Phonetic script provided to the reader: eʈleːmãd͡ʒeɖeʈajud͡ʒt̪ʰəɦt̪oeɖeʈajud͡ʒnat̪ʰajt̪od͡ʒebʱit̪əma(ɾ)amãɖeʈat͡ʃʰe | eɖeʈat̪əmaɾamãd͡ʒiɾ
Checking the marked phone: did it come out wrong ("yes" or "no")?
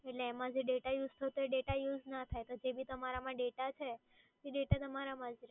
no